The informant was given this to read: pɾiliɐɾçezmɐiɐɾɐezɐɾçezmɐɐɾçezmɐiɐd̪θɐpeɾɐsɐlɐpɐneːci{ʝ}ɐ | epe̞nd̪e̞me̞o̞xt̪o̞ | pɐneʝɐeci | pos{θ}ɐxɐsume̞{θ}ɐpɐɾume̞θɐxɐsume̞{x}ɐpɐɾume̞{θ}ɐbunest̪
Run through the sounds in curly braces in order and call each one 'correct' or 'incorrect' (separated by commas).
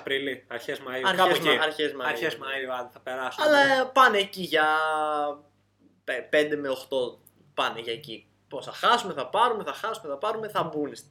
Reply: correct, correct, correct, incorrect, correct